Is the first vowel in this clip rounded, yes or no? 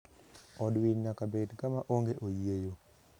yes